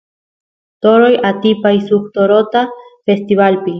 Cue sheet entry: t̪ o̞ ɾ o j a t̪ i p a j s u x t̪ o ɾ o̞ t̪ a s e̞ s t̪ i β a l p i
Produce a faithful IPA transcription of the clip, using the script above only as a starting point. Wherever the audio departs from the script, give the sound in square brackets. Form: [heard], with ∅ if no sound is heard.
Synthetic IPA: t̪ o̞ ɾ o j a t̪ i p a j s u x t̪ o ɾ o̞ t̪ a [f] e̞ s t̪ i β a l p i